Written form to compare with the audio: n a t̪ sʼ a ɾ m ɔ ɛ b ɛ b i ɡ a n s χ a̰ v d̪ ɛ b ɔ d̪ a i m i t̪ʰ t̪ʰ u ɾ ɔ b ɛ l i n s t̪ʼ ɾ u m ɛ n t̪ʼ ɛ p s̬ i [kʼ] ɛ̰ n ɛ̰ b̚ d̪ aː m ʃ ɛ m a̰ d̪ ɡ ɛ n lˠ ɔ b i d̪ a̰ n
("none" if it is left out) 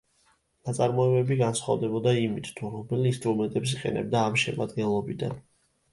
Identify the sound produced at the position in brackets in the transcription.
qʼ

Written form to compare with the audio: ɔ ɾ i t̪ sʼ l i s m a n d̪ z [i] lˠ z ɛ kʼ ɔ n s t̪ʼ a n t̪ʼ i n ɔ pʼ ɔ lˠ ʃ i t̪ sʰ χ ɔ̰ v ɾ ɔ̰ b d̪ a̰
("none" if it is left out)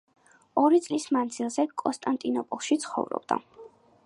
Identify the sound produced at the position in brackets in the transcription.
i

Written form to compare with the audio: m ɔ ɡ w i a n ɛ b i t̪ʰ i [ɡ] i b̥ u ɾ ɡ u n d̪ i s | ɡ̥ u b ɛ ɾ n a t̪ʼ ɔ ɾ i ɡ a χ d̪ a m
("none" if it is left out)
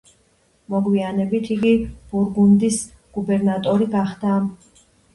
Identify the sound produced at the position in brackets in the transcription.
ɡ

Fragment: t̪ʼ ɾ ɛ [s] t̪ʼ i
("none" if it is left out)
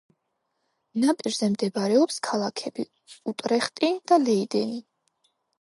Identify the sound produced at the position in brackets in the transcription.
χ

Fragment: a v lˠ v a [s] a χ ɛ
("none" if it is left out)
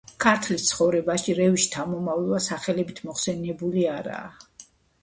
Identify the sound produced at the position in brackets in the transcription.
s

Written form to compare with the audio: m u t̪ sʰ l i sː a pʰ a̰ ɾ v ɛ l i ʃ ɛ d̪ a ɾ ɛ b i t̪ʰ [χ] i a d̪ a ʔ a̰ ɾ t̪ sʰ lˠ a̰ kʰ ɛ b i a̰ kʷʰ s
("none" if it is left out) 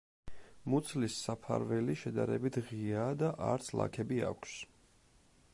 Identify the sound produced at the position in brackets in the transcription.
ʁ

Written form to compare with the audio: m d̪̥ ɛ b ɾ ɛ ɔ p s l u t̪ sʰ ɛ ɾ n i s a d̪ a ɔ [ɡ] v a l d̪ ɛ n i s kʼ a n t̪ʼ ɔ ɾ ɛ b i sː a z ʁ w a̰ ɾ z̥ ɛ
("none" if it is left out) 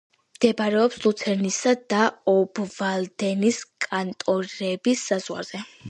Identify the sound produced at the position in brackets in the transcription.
b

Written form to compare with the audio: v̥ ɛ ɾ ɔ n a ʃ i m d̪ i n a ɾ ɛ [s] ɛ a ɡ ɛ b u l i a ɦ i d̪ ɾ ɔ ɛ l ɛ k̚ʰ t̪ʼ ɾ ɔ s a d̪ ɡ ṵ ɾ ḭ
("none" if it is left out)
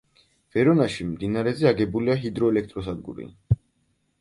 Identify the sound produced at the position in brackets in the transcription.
z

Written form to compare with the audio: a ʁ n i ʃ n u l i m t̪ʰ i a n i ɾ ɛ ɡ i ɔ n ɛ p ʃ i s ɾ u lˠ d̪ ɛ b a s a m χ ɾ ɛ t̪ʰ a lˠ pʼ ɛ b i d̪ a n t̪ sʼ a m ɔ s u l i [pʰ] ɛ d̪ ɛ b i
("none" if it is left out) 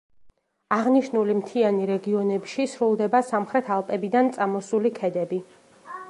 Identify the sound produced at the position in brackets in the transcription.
kʰ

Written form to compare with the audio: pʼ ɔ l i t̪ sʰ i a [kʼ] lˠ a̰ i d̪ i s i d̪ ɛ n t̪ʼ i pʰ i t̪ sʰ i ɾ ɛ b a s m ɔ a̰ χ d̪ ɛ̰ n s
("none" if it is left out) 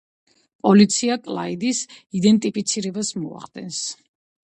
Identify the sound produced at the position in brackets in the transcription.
kʼ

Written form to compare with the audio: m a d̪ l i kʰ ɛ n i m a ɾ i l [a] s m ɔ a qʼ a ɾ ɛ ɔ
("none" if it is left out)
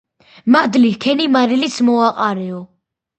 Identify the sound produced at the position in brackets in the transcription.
i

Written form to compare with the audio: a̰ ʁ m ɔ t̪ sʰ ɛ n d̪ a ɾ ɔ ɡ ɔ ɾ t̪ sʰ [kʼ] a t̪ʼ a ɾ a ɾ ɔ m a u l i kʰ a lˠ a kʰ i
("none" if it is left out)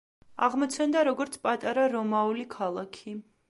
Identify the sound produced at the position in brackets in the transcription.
pʼ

